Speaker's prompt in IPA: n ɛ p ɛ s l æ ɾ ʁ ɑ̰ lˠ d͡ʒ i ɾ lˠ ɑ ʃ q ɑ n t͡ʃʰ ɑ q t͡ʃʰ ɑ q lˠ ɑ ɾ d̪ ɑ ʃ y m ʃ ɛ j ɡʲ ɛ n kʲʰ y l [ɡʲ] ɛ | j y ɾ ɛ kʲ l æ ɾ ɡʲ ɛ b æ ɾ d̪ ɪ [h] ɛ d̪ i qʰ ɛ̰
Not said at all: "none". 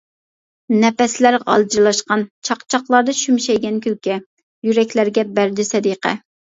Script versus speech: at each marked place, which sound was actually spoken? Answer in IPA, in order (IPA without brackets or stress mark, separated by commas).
kʲ, s